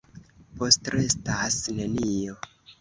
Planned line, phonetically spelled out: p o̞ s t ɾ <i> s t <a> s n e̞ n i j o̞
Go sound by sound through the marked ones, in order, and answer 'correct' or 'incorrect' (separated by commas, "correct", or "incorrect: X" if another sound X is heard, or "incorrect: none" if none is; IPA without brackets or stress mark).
incorrect: e, correct